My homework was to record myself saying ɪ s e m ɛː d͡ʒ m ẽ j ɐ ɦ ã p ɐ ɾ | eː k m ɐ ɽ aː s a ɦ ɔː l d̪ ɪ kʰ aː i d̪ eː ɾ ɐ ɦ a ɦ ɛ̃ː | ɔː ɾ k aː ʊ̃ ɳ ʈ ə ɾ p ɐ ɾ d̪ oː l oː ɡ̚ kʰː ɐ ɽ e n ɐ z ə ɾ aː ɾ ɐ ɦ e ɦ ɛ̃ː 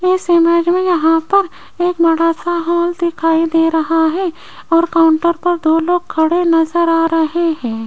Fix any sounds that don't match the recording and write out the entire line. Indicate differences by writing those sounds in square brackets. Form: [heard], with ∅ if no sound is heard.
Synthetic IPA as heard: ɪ s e m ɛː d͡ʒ m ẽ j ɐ ɦ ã p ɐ ɾ | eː k m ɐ ɽ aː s a ɦ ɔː l d̪ ɪ kʰ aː i d̪ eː ɾ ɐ ɦ a ɦ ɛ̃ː | ɔː ɾ k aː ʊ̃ ɳ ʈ ə ɾ p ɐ ɾ d̪ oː l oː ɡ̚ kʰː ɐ ɽ e n ɐ z ə ɾ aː ɾ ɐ ɦ e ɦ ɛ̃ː